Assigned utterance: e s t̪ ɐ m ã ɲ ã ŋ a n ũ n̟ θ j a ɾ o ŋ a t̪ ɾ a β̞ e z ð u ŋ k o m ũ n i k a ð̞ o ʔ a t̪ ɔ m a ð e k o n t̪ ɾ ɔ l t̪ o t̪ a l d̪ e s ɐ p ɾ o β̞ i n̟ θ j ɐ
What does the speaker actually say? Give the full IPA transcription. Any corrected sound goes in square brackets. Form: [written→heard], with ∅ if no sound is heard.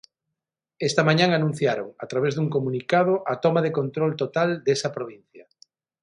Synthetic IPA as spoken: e s t̪ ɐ m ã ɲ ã ŋ a n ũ n̟ θ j a ɾ o ŋ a t̪ ɾ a β̞ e z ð u ŋ k o m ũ n i k a ð̞ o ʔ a t̪ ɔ m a ð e k o n t̪ ɾ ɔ l t̪ o t̪ a l d̪ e s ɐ p ɾ o β̞ i n̟ θ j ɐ